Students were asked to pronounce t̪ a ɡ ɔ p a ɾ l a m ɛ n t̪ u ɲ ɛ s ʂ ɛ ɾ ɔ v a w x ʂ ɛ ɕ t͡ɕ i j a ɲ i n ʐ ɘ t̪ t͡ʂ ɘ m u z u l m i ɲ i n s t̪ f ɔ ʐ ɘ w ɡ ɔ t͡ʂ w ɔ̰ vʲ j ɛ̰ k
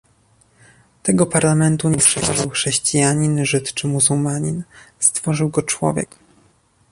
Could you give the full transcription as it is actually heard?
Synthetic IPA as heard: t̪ ɛ ɡ ɔ p a ɾ l a m ɛ n t̪ u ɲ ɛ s ʂ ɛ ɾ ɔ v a w x ʂ ɛ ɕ t͡ɕ i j a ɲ i n ʐ ɘ t̪ t͡ʂ ɘ m u z u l m a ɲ i n s t̪ f ɔ ʐ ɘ w ɡ ɔ t͡ʂ w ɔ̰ vʲ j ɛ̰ k